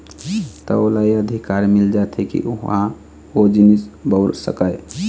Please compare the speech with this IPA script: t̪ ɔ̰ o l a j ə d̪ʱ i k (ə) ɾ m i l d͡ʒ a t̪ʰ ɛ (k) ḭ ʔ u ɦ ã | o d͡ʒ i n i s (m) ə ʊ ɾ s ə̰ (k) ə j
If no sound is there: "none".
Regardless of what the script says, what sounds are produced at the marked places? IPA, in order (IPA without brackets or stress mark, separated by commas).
a, k, b, k